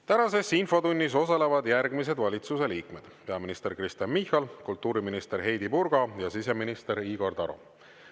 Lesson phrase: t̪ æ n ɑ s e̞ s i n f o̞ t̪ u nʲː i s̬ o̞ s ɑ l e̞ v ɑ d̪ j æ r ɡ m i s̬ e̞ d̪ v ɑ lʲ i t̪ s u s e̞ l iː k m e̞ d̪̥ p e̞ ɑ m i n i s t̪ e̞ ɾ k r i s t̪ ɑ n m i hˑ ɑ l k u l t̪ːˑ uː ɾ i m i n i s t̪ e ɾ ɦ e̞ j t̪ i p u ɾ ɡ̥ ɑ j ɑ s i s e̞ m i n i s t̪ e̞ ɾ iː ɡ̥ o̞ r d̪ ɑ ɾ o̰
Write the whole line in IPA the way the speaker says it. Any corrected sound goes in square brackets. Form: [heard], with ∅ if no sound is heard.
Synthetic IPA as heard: t̪ æ n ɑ s e̞ s i n f o̞ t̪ u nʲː i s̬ o̞ s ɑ l e̞ v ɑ d̪ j æ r ɡ m i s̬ e̞ d̪ v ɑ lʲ i t̪ s u s e̞ l iː k m e̞ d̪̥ p e̞ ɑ m i n i s t̪ e̞ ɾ k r i s t̪ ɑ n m i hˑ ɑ l k u l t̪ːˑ uː ɾ i m i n i s t̪ e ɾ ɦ e̞ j [d̪] i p u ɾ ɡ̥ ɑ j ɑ s i s e̞ m i n i s t̪ e̞ ɾ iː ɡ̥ o̞ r d̪ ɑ ɾ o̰